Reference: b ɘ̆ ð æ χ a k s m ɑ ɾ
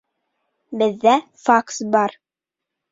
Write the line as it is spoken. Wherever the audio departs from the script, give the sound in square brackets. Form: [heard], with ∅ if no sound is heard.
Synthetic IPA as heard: b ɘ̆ [ðː] æ [f] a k s [b] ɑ ɾ